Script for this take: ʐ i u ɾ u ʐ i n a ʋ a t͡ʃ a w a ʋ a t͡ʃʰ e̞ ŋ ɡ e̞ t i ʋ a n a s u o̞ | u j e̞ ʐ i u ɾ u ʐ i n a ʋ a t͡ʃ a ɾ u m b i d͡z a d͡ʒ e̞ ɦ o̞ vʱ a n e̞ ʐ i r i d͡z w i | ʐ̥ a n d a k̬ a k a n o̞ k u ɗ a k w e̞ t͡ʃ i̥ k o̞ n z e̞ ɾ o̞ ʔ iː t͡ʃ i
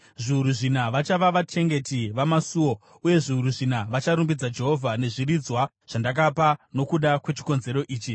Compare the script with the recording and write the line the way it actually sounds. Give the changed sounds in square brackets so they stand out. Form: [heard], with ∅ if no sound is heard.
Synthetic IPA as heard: ʐ i u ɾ u ʐ i n a ʋ a t͡ʃ a [ʋ] a ʋ a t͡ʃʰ e̞ ŋ ɡ e̞ t i ʋ a [m] a s u o̞ | u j e̞ ʐ i u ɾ u ʐ i n a ʋ a t͡ʃ a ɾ u m b i d͡z a d͡ʒ e̞ ɦ o̞ vʱ a n e̞ ʐ i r i d͡z w [a] | ʐ̥ a n d a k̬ a [p] a n o̞ k u ɗ a k w e̞ t͡ʃ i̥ k o̞ n z e̞ ɾ o̞ ʔ iː t͡ʃ i